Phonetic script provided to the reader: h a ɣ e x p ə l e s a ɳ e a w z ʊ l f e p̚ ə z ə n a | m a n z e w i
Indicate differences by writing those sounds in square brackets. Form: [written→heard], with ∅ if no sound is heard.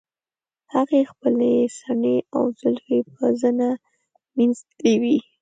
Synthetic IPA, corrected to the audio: h a ɣ e x p ə l e s a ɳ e a w z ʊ l f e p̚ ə z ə n a | m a n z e w i